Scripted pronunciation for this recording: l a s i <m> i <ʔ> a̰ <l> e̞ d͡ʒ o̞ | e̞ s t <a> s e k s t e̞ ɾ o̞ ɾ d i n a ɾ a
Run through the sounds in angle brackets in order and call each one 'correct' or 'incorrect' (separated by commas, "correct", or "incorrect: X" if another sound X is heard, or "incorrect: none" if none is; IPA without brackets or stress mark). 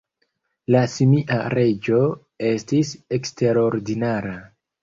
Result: correct, correct, incorrect: ɾ, incorrect: i